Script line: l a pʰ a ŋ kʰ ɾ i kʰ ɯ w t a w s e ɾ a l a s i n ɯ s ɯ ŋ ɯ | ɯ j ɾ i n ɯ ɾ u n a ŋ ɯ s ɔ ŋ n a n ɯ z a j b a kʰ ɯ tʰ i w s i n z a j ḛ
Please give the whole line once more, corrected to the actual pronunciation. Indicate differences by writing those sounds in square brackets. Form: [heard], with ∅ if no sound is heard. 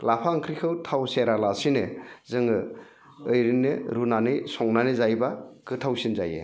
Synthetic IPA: l a pʰ a ŋ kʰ ɾ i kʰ ɯ w [tʰ] a w s e ɾ a l a s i n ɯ [z] ɯ ŋ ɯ | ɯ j ɾ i n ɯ ɾ u n a [n] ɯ s ɔ ŋ n a n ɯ z a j b a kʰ ɯ tʰ [a] w s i n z a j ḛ

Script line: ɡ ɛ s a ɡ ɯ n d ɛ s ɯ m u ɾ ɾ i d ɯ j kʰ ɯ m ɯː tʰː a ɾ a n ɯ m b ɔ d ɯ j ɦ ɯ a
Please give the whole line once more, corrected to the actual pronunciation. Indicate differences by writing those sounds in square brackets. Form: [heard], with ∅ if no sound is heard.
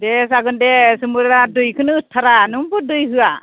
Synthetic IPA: [d] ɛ s a ɡ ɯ n d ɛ s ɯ m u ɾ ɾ [a] d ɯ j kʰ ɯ [n] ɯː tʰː a ɾ a n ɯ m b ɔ d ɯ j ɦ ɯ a

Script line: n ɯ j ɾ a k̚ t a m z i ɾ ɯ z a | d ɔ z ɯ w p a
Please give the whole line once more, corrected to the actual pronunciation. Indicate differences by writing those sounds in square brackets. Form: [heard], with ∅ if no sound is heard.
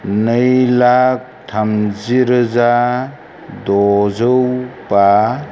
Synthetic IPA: n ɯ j [l] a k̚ [tʰ] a m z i ɾ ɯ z a | d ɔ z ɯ w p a

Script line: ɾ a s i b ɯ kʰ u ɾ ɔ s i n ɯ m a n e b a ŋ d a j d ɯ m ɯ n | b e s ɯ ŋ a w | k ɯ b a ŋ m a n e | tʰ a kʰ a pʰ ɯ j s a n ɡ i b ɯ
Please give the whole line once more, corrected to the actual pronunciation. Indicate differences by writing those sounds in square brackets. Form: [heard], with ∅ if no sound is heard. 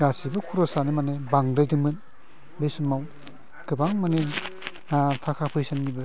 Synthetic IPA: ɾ a s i b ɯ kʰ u ɾ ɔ s [a] n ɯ m a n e b a ŋ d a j d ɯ m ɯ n | b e s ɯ [m] a w | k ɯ b a ŋ m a n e | tʰ a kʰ a pʰ ɯ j s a n ɡ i b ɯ

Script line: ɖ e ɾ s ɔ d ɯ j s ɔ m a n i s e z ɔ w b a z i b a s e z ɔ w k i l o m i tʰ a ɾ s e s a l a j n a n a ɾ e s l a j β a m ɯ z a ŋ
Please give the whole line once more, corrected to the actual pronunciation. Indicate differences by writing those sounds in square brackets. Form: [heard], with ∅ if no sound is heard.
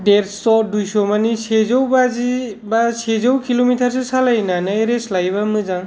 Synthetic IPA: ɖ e ɾ s ɔ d [u] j s ɔ m a n i s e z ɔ w b a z i b a s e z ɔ w k i l o m i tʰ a ɾ s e s a l a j n a n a ɾ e s l a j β a m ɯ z a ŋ

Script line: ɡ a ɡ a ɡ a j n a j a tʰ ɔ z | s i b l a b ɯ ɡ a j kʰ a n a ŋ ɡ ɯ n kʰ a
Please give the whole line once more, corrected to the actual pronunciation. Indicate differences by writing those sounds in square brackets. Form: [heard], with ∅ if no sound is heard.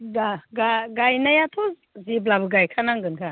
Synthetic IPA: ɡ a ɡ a ɡ a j n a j a tʰ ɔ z | [z] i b l a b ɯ ɡ a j kʰ a n a ŋ ɡ ɯ n kʰ a

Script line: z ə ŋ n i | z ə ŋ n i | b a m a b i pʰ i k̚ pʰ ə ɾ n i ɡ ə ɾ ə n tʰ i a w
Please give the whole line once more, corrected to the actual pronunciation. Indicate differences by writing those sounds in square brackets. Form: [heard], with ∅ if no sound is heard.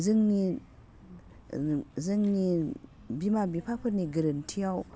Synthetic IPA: z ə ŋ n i | z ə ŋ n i | b [i] m a b i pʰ [a] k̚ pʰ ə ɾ n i ɡ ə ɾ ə n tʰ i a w

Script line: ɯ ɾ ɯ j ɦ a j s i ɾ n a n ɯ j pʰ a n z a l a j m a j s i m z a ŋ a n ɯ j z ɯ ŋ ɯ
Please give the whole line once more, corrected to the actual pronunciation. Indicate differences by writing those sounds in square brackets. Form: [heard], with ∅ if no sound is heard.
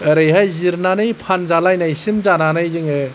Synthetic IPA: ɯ ɾ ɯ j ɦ a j [z] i ɾ n a n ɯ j pʰ a n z a l a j [n] a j s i m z a [n] a n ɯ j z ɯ ŋ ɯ

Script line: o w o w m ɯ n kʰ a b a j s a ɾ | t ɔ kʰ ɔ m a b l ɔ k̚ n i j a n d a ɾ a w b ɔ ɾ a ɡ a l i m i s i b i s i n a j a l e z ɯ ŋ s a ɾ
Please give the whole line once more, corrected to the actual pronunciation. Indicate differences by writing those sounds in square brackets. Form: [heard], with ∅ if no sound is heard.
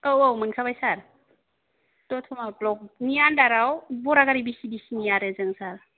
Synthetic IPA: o w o w m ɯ n kʰ a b a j s a ɾ | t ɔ [tʰ] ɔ m a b l ɔ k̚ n i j a n d a ɾ a w b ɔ ɾ a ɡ a [ɾ] i [b] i s i b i s i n [i] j a [ɾ] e z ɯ ŋ s a ɾ

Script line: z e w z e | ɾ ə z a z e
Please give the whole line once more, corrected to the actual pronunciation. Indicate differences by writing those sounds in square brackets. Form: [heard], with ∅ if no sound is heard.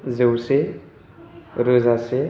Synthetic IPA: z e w [s] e | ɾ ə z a [s] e

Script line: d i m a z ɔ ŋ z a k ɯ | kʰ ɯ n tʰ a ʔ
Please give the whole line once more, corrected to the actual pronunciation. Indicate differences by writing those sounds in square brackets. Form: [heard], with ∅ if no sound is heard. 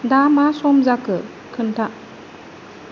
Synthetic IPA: d [a] m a [s] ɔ [m] z a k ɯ | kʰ ɯ n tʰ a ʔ

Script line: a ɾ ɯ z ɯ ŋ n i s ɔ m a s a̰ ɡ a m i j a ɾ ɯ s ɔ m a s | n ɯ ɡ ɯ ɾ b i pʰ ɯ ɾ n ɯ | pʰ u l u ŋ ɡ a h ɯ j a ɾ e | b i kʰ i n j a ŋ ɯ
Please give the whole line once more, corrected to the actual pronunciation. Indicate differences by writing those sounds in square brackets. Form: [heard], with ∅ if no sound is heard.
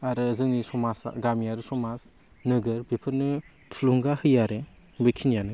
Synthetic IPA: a ɾ ɯ z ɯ ŋ n i s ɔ m a s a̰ ɡ a m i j a ɾ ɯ s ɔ m a s | n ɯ ɡ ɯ ɾ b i pʰ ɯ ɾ n ɯ | [tʰ] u l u ŋ ɡ a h ɯ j a ɾ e | b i kʰ i n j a [n] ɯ

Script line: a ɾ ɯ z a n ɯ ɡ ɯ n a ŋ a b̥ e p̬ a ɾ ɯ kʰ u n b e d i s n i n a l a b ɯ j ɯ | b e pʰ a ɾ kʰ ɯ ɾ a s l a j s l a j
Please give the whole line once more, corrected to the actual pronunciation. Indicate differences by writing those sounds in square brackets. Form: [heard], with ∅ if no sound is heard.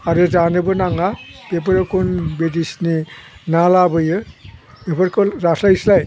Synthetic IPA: a ɾ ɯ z a n ɯ [b] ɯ n a ŋ a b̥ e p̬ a ɾ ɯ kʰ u n b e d i s n i n a l a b ɯ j ɯ | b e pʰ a ɾ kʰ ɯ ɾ a s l a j s l a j

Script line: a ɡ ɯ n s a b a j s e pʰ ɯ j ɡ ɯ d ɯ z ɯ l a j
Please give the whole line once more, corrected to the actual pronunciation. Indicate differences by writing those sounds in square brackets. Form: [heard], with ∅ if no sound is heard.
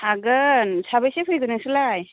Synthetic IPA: a ɡ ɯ n s a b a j s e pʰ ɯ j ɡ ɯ [n] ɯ [s] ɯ l a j

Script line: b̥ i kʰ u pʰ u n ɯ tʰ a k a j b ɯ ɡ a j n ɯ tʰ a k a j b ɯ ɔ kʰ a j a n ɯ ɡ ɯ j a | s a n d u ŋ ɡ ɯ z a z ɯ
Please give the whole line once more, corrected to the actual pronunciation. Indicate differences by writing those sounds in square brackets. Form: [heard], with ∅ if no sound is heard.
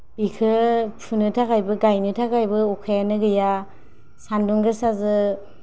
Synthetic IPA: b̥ i kʰ [ɯ] pʰ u n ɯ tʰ a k a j b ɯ ɡ a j n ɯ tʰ a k a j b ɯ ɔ kʰ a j a n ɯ ɡ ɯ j a | s a n d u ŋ ɡ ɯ [s] a z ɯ

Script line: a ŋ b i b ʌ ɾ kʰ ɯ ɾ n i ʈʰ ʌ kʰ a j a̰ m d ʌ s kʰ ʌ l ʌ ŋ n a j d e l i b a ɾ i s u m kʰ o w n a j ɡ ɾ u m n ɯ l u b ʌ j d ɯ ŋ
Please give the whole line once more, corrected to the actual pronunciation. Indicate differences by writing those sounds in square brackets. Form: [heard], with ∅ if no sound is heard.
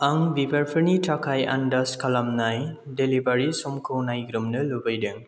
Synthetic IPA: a ŋ b i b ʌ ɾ [pʰ] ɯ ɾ n i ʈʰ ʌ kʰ a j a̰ [n] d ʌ s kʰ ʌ l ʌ [m] n a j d e l i b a ɾ i s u m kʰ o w n a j ɡ ɾ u m n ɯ l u b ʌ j d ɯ ŋ

